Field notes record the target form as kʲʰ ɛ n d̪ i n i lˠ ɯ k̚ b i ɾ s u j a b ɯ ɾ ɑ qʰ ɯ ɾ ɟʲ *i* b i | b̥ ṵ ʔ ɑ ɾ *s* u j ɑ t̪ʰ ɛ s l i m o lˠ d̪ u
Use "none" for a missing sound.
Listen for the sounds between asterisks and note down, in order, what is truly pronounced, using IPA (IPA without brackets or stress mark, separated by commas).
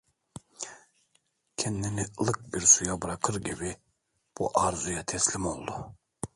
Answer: i, z